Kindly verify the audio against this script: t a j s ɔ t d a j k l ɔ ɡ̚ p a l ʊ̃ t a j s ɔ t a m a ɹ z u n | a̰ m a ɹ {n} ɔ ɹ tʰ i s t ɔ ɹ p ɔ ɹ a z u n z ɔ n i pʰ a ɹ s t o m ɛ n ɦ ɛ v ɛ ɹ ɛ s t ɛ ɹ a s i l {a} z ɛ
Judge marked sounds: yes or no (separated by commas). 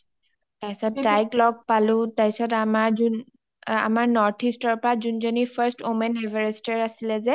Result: yes, no